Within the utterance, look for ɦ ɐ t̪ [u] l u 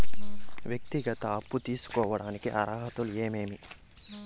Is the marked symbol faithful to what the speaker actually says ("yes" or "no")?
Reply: yes